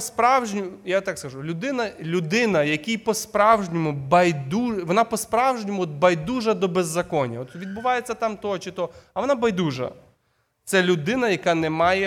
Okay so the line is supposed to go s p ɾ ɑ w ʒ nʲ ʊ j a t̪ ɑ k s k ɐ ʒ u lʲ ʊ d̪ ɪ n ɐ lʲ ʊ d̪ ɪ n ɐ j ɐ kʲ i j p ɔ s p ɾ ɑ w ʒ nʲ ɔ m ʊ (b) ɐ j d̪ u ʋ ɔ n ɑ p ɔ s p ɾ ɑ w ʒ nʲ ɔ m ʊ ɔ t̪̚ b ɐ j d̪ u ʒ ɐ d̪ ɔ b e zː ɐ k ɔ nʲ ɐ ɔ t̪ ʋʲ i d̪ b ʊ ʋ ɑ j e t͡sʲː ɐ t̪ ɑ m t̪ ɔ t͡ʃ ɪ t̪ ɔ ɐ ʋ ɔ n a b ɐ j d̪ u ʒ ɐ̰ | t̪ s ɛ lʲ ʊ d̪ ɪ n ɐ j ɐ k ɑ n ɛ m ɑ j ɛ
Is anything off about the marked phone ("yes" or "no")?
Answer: no